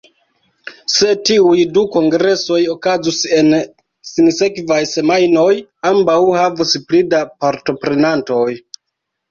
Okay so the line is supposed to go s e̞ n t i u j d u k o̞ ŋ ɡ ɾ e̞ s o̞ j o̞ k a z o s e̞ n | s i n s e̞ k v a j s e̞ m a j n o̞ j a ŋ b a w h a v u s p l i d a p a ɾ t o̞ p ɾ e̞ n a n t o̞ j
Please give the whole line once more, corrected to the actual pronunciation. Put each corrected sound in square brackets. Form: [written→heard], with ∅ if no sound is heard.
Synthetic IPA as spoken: s e̞ [n→∅] t i u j d u k o̞ ŋ ɡ ɾ e̞ s o̞ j o̞ k a z [o→u] s e̞ n | s i n s e̞ k v a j s e̞ m a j n o̞ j a [ŋ→m] b a w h a v u s p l i d a p a ɾ t o̞ p ɾ e̞ n a n t o̞ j